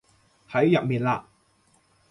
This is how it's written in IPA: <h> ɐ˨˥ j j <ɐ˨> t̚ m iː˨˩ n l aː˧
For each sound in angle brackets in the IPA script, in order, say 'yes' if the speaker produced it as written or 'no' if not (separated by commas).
yes, yes